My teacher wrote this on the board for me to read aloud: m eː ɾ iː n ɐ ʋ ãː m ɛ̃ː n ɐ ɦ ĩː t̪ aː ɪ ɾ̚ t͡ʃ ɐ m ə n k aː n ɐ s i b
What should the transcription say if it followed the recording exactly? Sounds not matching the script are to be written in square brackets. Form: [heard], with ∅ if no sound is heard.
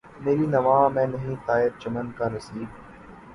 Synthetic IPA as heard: m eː ɾ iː n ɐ ʋ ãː m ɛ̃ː n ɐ ɦ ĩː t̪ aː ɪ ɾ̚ t͡ʃ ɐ m ə n k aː n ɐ s [iː] b